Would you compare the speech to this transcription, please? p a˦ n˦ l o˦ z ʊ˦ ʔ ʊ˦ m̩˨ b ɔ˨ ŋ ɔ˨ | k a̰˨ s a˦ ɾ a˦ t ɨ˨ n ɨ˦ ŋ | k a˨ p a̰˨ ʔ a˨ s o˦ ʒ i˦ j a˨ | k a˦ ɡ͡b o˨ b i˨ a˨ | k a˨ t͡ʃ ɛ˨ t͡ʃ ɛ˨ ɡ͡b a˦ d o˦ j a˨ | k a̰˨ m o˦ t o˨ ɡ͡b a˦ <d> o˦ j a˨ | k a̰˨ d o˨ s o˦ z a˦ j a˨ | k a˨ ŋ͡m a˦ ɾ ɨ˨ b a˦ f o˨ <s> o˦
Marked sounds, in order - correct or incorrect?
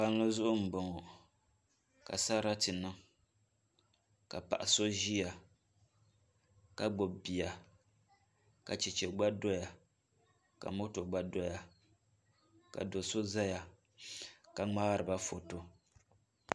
correct, incorrect: t

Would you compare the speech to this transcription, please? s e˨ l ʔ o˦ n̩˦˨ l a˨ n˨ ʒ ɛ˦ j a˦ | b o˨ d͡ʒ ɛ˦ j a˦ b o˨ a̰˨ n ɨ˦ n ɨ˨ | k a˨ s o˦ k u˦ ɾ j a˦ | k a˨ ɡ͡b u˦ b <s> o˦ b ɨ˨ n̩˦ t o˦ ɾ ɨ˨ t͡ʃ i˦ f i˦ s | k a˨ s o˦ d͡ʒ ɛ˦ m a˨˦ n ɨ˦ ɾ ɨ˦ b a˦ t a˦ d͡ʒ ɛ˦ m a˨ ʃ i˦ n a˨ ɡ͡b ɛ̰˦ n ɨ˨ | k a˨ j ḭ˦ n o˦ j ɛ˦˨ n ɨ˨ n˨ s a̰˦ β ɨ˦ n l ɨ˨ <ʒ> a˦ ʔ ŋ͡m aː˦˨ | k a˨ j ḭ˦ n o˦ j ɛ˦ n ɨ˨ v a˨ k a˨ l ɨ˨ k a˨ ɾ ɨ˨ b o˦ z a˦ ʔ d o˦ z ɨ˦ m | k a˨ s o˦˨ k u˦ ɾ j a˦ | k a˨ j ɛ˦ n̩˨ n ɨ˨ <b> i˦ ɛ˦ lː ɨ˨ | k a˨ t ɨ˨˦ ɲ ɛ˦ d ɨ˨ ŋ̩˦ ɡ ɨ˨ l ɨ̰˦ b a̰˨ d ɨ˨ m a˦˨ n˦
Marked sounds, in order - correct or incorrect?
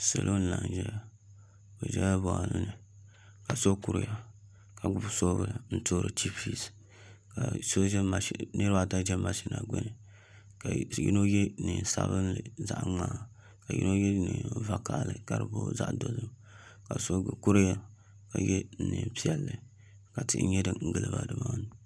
correct, incorrect: z, incorrect: p

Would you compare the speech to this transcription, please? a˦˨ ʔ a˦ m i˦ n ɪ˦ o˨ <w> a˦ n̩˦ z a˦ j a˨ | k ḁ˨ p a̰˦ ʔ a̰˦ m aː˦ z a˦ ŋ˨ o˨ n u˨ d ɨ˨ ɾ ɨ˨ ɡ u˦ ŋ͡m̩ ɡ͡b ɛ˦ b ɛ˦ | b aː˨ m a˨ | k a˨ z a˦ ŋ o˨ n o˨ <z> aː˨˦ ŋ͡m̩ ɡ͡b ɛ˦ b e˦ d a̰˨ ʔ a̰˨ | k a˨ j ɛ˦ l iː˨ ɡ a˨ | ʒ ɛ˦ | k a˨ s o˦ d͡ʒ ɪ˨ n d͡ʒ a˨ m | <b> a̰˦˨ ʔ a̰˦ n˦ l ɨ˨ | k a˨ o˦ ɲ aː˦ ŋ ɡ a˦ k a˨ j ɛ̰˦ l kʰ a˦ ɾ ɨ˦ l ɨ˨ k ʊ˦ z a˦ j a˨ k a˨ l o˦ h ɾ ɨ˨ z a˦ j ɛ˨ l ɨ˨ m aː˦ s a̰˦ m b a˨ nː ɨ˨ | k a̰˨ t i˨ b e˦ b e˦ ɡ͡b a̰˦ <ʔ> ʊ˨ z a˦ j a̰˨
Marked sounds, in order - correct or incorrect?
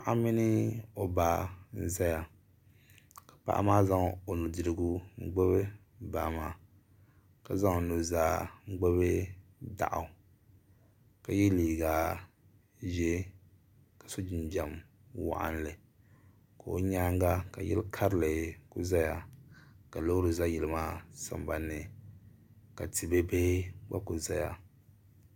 incorrect: b, correct, incorrect: w, incorrect: k

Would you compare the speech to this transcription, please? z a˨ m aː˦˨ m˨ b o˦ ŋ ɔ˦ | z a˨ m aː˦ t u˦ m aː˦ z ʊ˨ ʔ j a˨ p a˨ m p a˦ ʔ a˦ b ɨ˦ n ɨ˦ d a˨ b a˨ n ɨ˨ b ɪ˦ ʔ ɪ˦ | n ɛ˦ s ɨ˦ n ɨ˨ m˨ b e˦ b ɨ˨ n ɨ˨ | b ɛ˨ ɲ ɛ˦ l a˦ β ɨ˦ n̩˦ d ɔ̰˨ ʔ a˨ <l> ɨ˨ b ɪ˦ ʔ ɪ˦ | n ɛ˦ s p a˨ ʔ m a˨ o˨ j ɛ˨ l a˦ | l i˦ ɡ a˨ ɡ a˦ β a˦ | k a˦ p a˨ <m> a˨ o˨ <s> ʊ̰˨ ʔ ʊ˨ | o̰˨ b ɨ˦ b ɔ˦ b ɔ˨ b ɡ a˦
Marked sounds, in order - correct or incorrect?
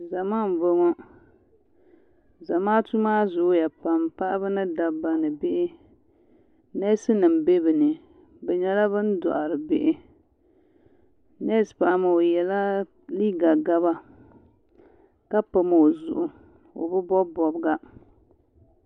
incorrect: ɾ, correct, incorrect: z

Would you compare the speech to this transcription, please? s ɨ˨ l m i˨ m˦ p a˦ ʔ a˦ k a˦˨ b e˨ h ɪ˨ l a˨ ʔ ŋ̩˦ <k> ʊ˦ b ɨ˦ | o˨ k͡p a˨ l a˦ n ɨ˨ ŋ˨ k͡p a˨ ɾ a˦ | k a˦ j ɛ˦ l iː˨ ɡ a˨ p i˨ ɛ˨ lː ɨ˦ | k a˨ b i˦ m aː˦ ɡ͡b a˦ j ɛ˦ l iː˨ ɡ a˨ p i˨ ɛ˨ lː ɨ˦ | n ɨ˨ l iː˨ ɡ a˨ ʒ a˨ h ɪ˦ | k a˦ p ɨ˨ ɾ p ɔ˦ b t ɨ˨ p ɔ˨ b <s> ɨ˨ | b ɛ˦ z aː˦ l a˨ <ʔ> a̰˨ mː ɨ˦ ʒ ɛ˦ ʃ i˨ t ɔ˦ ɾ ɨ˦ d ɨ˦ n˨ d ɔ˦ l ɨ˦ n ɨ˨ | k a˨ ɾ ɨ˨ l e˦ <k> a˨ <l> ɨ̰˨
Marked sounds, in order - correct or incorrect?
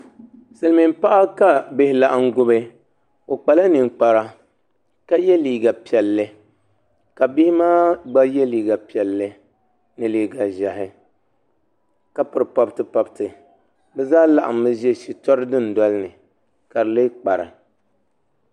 incorrect: ɡ, incorrect: t, correct, incorrect: k͡p, incorrect: ɾ

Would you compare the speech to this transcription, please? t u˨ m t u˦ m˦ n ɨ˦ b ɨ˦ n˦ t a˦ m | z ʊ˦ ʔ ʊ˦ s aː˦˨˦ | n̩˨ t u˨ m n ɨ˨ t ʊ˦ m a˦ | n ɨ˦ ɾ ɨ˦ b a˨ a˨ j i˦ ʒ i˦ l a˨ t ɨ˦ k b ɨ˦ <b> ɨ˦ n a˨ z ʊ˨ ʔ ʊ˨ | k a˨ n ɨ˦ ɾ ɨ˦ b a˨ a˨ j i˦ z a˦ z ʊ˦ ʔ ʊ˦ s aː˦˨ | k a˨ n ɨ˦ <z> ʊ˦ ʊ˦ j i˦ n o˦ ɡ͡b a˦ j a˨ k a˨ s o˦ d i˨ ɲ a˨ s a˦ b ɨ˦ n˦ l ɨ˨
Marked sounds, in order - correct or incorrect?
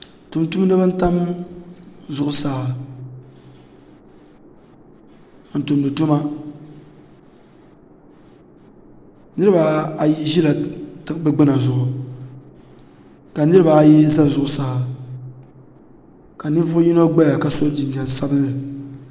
incorrect: ɡ͡b, incorrect: v

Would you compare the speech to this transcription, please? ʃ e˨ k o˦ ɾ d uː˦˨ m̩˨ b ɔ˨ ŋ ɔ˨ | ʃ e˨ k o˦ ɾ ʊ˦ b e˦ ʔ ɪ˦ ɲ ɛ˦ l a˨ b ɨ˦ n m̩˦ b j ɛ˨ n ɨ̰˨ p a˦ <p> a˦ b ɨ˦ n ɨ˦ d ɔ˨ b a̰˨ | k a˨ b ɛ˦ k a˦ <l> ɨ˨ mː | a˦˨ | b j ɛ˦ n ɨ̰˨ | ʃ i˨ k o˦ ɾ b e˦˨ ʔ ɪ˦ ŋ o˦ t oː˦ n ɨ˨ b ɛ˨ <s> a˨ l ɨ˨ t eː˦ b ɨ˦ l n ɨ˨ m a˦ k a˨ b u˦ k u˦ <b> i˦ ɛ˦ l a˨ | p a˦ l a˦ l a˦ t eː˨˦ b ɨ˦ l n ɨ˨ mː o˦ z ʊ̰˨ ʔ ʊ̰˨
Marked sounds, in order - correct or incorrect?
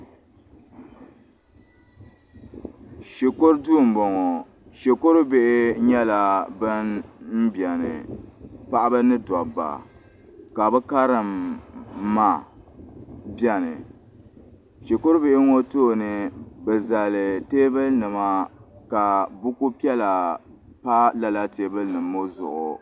incorrect: ʔ, incorrect: ɾ, incorrect: z, incorrect: p

